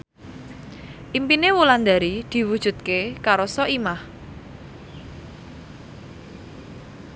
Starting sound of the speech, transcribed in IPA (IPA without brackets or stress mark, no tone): ʔ